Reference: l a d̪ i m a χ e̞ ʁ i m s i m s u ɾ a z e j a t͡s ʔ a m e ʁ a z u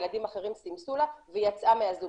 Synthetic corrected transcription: l a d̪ i m a χ e̞ ʁ i m s i m s u l a v e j a t͡s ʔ a m e a z u